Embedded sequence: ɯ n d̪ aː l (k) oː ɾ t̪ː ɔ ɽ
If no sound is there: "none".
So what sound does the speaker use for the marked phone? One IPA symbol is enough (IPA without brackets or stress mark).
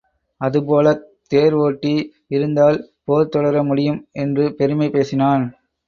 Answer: p